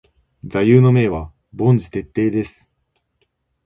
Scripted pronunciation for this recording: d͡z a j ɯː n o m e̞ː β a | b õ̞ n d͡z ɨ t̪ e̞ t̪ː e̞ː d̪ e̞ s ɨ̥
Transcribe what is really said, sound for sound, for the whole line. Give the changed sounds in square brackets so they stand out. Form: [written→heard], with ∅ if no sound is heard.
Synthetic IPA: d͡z a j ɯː n o m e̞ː β a | b õ̞ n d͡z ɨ t̪ e̞ t̪ː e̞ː d̪ e̞ s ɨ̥